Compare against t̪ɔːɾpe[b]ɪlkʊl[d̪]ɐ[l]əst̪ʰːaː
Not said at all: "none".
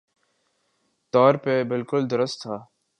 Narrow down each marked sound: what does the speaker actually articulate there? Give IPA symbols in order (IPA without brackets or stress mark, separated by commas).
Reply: b, d̪, ɾ